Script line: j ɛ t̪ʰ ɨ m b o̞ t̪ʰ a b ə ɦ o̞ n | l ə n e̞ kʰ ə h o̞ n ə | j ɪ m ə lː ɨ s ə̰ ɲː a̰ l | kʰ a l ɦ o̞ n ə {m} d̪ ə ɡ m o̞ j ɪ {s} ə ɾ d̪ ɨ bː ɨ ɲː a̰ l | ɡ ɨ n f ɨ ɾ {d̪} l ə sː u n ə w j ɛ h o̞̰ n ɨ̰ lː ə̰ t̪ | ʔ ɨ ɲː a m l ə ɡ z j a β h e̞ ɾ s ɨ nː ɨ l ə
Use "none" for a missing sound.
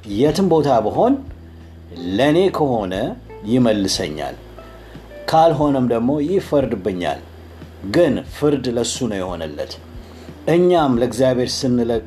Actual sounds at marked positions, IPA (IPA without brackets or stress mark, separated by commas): m, f, d̪